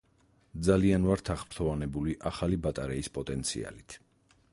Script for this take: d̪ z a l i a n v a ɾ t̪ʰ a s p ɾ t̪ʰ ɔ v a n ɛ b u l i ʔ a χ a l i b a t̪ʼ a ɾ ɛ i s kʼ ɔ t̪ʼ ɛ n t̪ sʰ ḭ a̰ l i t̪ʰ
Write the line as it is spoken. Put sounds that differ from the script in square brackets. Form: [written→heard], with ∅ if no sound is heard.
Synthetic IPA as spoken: d̪ z a l i a n v a ɾ t̪ʰ a [s→χ] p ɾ t̪ʰ ɔ v a n ɛ b u l i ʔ a χ a l i b a t̪ʼ a ɾ ɛ i s [kʼ→pʼ] ɔ t̪ʼ ɛ n t̪ sʰ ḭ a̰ l i t̪ʰ